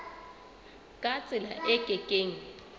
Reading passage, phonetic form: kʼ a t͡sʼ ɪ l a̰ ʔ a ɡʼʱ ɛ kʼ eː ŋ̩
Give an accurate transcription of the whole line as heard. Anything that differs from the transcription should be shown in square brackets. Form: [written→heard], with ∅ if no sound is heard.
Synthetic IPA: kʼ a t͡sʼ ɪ l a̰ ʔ [a→ɛ] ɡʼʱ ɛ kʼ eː ŋ̩

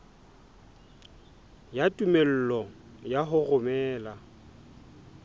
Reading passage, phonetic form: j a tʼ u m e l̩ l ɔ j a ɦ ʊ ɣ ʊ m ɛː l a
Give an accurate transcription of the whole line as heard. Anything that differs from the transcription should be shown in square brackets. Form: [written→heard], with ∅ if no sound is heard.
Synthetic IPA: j a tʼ u m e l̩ l ɔ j a ɦ ʊ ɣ ʊ m ɛː l a

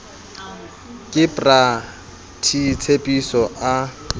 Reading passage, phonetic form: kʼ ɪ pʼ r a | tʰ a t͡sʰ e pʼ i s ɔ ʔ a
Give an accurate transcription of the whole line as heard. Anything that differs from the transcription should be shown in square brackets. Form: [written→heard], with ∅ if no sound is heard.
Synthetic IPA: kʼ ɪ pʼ r a | tʰ [a→i] t͡sʰ e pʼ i s ɔ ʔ a

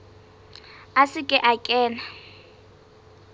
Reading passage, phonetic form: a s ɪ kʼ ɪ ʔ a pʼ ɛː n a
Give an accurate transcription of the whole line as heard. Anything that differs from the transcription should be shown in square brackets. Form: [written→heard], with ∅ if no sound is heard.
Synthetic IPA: a s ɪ kʼ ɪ ʔ a [pʼ→kʼ] ɛː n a

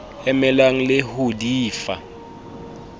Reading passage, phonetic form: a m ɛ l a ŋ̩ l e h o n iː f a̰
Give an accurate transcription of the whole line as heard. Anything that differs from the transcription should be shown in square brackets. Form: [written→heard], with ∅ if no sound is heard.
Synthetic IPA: [a→ɛ] m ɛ l a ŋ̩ l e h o [n→d] iː f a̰

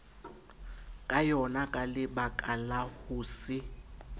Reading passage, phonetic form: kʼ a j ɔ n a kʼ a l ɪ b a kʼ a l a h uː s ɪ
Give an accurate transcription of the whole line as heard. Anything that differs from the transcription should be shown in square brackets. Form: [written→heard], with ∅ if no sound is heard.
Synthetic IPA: kʼ a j ɔ n a kʼ a l ɪ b a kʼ a l a h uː s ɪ

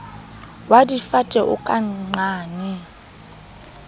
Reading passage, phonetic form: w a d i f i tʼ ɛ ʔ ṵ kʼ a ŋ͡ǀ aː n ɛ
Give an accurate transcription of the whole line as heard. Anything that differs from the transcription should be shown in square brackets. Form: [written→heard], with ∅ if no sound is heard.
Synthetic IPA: w a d i f [i→a] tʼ ɛ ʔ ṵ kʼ a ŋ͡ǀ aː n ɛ

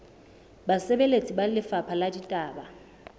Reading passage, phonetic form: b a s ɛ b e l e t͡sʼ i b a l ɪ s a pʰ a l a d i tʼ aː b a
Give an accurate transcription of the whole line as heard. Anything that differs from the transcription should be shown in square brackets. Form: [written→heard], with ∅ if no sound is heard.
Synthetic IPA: b a s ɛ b e l e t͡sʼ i b a l ɪ [s→f] a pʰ a l a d i tʼ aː b a

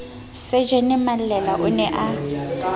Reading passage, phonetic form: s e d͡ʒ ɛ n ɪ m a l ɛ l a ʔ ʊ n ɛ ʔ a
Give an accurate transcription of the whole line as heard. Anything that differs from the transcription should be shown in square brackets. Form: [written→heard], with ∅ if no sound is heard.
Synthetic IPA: s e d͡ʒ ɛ n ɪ m a l ɛ l a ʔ ʊ n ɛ ʔ a

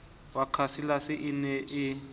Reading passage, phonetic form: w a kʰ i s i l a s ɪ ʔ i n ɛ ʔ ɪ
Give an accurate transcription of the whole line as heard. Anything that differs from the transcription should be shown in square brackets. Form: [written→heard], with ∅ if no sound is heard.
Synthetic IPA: w a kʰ [i→a] s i l a s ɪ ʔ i n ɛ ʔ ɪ

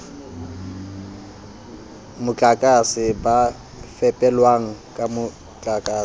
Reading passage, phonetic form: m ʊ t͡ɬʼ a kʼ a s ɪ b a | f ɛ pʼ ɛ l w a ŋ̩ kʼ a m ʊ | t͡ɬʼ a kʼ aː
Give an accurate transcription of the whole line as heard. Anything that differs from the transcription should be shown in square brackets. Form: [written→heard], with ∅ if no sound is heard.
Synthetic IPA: m ʊ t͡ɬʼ a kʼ a s ɪ b a | f ɛ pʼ ɛ l w a ŋ̩ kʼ a m ʊ | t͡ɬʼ a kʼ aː

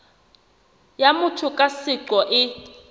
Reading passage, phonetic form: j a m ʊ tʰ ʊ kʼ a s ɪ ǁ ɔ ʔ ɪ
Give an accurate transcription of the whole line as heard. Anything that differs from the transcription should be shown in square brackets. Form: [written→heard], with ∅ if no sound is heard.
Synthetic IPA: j a m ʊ tʰ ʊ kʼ a s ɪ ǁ ɔ ʔ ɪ

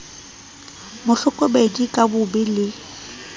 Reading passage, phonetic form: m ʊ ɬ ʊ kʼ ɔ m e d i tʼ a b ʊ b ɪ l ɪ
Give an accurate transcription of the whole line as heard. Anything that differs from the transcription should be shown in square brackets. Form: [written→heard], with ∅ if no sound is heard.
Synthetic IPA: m ʊ ɬ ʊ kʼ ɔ [m→b] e d i [tʼ→kʼ] a b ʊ b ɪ l ɪ

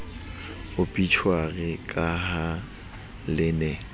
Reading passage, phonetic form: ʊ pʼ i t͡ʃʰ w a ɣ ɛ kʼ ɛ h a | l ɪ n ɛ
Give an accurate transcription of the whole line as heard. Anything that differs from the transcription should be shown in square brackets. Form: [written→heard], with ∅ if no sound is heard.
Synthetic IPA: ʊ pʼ i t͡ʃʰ w a ɣ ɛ kʼ [ɛ→a] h a | l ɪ n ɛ

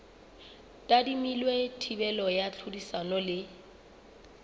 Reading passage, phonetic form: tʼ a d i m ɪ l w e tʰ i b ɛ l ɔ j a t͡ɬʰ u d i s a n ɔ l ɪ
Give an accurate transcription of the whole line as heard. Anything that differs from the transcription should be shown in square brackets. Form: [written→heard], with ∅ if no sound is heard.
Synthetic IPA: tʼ a d i m [ɪ→i] l w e tʰ i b ɛ l ɔ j a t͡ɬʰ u d i s a n ɔ l ɪ

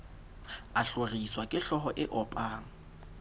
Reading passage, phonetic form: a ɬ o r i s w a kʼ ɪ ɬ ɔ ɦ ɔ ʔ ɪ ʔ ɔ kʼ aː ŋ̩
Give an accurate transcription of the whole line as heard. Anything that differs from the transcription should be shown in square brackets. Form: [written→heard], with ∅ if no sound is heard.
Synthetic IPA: a ɬ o r i s w a kʼ ɪ ɬ ɔ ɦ ɔ ʔ ɪ ʔ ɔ [kʼ→pʼ] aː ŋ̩

